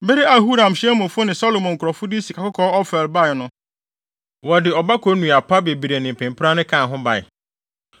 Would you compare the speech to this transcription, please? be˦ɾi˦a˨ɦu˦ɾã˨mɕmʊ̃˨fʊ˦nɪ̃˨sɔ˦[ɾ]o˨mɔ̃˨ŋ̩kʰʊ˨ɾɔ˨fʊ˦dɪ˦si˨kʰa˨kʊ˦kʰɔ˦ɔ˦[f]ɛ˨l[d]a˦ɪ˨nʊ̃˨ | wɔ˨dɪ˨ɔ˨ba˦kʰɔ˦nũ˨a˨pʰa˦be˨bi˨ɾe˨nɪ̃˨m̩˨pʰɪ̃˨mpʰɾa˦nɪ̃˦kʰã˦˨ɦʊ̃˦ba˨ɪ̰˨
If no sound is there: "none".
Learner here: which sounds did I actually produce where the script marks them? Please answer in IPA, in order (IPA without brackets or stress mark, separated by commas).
l, f, b